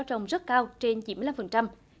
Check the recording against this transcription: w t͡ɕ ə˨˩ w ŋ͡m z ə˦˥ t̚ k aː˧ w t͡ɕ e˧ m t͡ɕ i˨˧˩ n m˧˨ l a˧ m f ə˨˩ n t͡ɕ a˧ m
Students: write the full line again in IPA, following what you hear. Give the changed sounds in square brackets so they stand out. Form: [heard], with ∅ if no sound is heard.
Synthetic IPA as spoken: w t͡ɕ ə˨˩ w ŋ͡m z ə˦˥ t̚ k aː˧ w t͡ɕ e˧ [n] t͡ɕ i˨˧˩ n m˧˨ l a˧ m f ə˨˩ n t͡ɕ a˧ m